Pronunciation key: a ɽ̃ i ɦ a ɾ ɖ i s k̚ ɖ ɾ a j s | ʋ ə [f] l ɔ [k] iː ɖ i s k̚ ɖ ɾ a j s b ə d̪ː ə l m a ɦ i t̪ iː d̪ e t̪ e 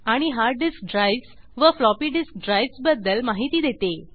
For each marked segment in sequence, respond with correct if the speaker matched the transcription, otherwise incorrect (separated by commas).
correct, incorrect